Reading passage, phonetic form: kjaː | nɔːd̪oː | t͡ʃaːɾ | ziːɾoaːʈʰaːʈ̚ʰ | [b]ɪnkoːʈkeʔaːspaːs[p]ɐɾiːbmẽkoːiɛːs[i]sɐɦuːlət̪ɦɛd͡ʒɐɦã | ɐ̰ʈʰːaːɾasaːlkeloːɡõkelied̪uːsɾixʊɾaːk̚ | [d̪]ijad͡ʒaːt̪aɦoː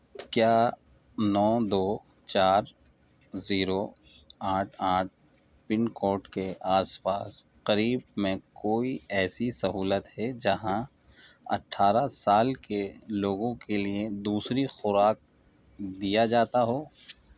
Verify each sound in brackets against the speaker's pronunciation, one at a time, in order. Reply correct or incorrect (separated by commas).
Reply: incorrect, incorrect, correct, correct